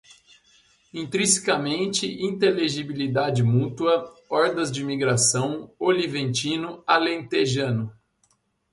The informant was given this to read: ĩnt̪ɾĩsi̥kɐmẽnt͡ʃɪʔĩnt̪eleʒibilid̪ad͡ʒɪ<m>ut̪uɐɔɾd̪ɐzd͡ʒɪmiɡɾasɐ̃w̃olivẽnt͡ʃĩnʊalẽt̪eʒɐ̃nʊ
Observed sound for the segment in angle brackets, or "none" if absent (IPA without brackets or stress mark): m